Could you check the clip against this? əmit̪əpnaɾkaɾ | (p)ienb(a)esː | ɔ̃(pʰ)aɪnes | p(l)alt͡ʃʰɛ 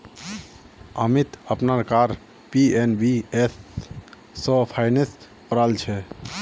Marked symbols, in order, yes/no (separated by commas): yes, no, yes, no